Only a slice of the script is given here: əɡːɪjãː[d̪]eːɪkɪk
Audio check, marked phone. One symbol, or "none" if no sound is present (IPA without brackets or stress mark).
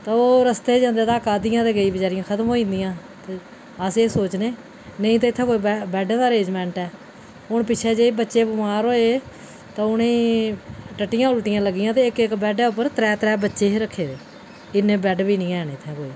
t̪